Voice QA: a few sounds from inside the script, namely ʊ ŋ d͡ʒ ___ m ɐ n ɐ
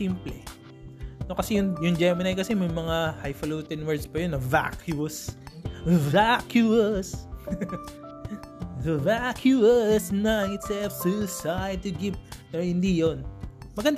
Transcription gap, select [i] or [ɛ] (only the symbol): ɛ